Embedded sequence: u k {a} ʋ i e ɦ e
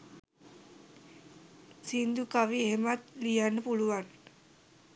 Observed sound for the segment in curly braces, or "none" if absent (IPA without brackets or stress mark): a